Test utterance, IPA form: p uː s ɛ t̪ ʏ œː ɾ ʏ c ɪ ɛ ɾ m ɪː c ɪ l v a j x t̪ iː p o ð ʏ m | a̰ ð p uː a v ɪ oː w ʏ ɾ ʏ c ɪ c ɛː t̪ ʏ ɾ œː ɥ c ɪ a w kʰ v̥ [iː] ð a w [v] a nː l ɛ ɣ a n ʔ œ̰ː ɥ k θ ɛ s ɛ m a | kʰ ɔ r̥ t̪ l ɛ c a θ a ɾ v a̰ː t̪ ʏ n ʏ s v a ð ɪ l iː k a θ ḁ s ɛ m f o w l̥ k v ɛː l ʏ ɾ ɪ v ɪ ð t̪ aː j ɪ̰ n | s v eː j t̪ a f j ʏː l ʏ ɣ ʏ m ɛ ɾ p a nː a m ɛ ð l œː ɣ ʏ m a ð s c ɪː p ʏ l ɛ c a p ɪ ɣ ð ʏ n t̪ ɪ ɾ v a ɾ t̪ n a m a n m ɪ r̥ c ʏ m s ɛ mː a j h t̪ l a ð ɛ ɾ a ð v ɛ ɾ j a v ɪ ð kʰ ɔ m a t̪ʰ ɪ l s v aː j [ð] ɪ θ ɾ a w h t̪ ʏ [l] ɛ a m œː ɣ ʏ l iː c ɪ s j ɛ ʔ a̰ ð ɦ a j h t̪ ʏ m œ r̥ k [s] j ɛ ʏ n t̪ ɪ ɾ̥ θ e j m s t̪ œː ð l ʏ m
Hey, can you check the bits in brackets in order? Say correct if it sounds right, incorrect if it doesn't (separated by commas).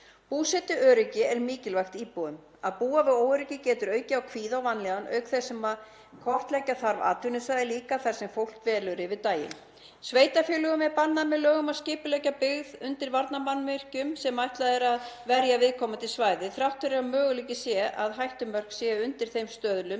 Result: correct, correct, correct, incorrect, correct